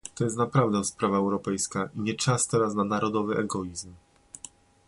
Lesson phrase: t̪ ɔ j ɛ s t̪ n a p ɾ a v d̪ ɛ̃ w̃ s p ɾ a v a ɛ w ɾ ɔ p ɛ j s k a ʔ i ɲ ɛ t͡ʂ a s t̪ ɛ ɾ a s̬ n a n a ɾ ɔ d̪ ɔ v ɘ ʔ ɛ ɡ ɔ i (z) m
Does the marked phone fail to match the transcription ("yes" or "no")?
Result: no